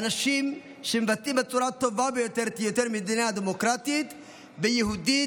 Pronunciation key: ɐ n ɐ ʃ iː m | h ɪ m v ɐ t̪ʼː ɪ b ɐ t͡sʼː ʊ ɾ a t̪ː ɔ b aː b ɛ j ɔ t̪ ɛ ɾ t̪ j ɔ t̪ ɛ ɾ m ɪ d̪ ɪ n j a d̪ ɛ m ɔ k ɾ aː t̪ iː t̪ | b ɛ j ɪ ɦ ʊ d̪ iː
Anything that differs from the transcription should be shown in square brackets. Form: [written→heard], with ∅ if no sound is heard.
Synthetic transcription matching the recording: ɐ n ɐ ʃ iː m | [h→ʃ] ɪ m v ɐ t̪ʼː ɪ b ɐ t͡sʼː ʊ ɾ a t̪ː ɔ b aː b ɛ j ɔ t̪ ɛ ɾ t̪ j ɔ t̪ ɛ ɾ m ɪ d̪ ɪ n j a d̪ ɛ m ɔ k ɾ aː t̪ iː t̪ | b ɛ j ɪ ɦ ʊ d̪ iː